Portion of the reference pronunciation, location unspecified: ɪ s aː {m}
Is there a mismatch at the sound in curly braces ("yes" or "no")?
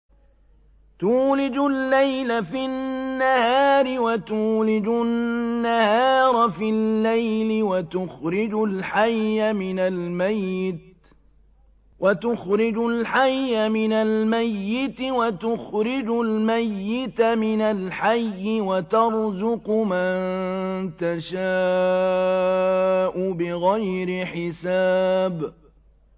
yes